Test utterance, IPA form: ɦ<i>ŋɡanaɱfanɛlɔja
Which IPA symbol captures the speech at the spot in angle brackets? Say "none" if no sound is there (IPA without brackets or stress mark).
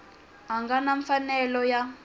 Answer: a